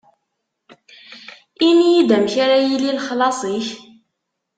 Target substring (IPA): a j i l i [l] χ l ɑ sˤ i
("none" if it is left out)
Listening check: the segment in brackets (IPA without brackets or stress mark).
l